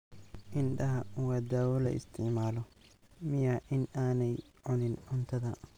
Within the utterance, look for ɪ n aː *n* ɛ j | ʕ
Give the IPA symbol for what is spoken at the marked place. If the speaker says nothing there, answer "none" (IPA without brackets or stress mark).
n